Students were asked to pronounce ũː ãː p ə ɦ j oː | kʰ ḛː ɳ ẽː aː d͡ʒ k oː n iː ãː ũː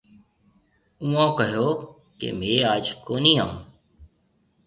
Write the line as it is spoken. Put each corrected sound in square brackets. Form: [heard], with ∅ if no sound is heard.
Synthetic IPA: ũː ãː [k] ə ɦ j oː | [k] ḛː [m] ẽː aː d͡ʒ k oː n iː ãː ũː